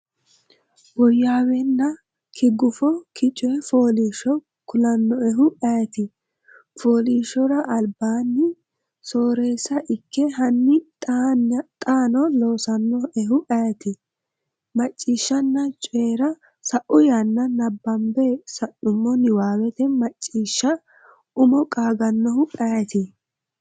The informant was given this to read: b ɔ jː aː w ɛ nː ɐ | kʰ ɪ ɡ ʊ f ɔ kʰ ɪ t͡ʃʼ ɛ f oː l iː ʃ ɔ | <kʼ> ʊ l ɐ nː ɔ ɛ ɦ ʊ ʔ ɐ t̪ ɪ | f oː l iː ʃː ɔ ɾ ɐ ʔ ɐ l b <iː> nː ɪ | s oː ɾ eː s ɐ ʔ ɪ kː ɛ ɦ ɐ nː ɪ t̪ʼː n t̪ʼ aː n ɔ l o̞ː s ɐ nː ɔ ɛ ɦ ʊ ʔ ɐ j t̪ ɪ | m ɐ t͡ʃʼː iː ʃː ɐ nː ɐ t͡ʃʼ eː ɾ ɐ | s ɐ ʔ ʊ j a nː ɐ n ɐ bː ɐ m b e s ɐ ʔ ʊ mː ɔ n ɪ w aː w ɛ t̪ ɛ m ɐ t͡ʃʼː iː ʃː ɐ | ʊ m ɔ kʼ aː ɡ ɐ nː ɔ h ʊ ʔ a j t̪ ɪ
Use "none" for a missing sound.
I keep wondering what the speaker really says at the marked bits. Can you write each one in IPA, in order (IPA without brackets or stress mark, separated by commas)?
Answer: k, aː